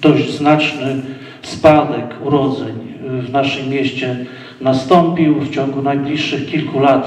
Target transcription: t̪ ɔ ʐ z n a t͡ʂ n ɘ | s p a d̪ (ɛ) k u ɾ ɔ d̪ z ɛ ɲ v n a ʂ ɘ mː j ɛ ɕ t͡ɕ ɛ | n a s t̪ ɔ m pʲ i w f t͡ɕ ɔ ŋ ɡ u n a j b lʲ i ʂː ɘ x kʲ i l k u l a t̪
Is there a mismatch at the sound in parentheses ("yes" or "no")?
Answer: no